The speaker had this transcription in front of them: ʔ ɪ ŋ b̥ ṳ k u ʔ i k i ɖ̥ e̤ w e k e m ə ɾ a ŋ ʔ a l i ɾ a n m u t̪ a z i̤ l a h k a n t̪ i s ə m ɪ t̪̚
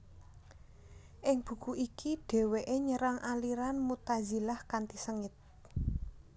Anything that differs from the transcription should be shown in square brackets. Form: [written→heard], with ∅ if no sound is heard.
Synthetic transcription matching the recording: ʔ ɪ ŋ b̥ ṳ k u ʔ i k i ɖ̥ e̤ w e [k→ʔ] e [m→ɲ] ə ɾ a ŋ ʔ a l i ɾ a n m u t̪ a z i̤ l a h k a n t̪ i s ə [m→ŋ] ɪ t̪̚